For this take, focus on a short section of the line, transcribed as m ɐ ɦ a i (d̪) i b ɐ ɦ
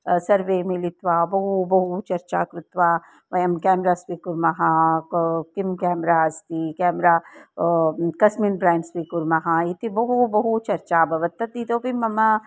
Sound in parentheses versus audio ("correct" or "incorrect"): incorrect